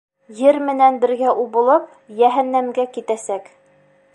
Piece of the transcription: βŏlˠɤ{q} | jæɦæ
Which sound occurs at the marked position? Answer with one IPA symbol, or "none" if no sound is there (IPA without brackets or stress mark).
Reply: p